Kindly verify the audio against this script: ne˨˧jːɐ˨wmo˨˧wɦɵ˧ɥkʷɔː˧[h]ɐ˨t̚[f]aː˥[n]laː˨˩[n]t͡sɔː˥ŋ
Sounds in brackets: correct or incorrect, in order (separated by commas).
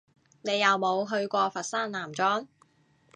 incorrect, incorrect, correct, incorrect